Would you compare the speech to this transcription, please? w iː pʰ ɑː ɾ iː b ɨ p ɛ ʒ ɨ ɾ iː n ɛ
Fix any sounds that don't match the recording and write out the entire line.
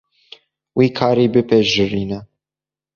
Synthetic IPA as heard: w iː kʰ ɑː ɾ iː b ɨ p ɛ ʒ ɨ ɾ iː n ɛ